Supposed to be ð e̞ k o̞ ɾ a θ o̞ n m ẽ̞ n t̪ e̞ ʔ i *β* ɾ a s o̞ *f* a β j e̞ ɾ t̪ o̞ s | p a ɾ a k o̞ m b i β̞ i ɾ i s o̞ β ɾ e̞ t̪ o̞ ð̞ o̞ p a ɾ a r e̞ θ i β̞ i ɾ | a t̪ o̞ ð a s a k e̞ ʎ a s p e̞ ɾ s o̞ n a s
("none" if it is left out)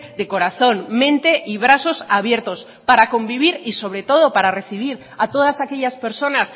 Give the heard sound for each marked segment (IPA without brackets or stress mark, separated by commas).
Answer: β, s